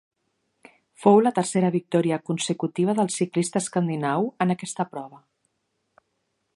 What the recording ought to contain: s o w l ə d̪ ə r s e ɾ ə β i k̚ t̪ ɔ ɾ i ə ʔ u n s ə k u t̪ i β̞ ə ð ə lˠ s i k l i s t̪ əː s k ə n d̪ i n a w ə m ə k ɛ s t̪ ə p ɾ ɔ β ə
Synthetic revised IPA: f o w l ə t̪ ə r s e ɾ ə β i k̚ t̪ ɔ ɾ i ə k u n s ə k u t̪ i β̞ ə ð ə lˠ s i k l i s t̪ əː s k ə n d̪ i n a w ə n ə k ɛ s t̪ ə p ɾ ɔ β ə